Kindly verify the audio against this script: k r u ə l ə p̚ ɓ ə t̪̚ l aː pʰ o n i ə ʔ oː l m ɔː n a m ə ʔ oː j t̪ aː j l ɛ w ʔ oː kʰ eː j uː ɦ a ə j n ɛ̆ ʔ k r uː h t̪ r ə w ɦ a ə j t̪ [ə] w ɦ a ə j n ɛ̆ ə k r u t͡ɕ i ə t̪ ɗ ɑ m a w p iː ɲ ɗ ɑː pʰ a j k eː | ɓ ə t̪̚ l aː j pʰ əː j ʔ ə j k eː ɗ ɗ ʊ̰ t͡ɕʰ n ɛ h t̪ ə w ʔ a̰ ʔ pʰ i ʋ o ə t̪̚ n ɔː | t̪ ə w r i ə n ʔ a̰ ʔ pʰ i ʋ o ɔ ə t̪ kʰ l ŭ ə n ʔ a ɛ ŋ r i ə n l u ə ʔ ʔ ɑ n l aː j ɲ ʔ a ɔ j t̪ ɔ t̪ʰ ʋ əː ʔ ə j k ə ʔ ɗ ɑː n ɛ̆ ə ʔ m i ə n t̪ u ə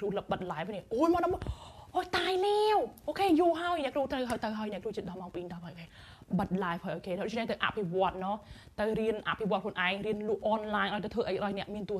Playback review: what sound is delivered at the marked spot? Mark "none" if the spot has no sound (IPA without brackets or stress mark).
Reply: ə